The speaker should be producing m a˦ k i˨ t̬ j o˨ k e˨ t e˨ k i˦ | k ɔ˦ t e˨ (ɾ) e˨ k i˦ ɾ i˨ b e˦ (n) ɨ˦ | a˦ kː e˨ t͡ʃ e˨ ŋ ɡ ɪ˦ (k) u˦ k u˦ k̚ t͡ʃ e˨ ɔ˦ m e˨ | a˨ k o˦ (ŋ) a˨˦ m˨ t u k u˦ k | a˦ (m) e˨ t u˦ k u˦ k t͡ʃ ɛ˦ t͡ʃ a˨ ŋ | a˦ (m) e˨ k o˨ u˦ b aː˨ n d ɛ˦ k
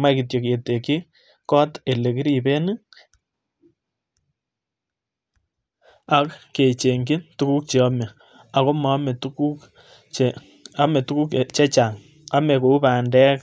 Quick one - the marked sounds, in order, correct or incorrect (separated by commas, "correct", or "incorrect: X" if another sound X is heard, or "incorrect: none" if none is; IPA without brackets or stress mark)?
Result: incorrect: l, correct, incorrect: t, incorrect: m, correct, correct